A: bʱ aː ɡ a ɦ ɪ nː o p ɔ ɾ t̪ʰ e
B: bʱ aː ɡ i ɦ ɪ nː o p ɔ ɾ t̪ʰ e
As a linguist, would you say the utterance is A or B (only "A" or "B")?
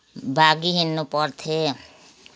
B